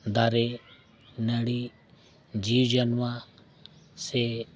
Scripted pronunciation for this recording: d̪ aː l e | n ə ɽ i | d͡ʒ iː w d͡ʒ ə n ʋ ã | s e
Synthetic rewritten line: d̪ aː ɾ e | n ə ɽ i | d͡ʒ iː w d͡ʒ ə n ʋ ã | s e